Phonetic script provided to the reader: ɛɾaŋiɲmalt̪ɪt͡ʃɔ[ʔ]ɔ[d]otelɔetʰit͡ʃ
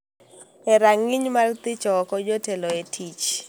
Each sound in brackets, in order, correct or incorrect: incorrect, incorrect

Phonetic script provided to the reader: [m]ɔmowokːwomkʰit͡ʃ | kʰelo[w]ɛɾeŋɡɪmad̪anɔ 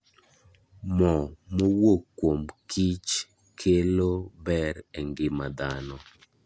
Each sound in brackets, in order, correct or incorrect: correct, incorrect

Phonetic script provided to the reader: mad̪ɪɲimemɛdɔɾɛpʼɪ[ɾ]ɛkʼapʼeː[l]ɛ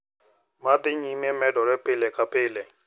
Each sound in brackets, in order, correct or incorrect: incorrect, correct

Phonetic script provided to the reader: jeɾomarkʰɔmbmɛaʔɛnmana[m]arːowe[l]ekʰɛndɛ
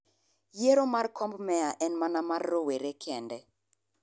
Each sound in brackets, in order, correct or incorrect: correct, incorrect

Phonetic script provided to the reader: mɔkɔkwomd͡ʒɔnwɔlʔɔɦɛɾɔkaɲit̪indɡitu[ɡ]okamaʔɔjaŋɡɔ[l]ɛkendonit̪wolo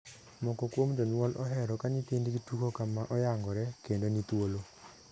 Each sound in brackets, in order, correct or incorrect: incorrect, incorrect

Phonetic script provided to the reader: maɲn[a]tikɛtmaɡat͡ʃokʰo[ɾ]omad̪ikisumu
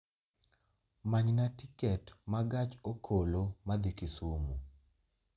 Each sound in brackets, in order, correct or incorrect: correct, incorrect

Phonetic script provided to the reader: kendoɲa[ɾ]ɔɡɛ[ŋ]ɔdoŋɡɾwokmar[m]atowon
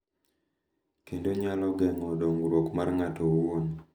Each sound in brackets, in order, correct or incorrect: incorrect, correct, incorrect

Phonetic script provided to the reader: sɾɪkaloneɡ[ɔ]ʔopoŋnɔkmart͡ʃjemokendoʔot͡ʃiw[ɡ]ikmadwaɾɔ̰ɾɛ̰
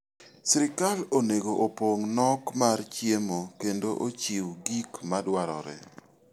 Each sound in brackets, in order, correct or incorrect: incorrect, correct

